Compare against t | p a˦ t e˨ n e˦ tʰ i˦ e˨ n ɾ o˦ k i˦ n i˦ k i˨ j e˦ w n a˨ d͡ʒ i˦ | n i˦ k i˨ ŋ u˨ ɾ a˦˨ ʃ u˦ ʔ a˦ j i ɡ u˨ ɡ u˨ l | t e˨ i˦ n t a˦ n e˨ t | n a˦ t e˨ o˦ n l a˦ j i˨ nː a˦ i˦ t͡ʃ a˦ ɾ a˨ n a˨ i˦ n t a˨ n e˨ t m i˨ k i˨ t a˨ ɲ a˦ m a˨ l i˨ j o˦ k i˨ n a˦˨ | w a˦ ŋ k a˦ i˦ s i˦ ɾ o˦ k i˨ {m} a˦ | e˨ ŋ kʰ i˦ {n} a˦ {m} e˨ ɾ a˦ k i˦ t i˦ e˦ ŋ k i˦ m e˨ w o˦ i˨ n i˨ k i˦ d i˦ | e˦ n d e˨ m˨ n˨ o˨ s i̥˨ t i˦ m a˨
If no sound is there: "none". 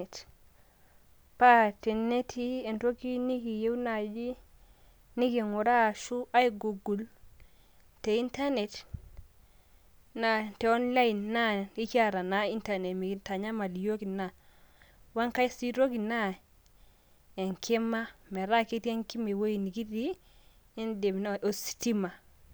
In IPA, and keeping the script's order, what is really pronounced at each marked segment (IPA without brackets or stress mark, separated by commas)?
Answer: n, m, m